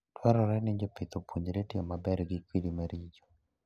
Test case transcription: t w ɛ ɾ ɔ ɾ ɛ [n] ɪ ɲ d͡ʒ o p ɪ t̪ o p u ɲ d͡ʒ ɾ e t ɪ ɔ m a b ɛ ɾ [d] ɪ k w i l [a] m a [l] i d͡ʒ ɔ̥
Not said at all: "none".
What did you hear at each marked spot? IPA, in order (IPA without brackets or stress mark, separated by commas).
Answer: n, ɡ, i, ɾ